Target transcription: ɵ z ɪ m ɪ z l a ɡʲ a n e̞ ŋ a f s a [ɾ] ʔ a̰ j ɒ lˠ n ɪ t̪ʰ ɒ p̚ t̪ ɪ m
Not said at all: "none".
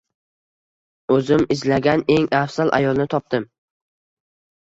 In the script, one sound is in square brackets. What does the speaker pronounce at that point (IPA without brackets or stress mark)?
l